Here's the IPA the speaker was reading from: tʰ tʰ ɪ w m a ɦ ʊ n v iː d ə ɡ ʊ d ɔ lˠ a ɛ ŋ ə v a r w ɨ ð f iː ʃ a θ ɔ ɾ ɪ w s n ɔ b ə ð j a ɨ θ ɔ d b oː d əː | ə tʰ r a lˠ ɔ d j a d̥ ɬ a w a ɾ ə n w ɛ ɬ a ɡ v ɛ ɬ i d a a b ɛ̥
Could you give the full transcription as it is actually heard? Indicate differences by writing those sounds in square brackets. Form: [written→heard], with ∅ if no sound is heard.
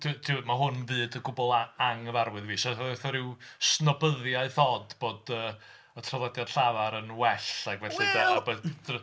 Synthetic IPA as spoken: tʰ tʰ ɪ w m a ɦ ʊ n v [iː→ɨː] d ə ɡ ʊ [d→b] ɔ lˠ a [ɛ→a] ŋ ə v a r w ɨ ð [f→v] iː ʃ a θ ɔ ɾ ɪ w s n ɔ b ə ð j a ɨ θ ɔ d b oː d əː | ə tʰ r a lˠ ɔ d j a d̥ ɬ a [w→v] a ɾ ə n w ɛ ɬ a ɡ v ɛ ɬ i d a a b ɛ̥